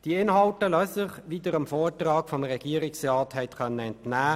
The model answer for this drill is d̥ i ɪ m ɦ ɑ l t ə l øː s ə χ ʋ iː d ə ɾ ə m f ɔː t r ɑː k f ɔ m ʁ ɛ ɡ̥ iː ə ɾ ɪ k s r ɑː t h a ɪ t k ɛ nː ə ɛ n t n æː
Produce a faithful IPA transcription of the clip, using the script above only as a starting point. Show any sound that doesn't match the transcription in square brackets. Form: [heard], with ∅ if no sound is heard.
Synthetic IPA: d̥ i ɪ [n] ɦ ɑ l t ə l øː s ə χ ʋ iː d ə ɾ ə m f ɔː t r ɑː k f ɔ m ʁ ɛ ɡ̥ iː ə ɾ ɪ k s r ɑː t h [ɛ] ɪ t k [œ] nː ə ɛ n t n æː